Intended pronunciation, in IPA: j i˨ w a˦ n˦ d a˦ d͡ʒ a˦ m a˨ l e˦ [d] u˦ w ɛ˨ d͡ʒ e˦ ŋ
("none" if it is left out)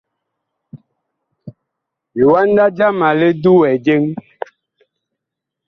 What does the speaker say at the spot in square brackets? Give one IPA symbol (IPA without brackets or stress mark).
d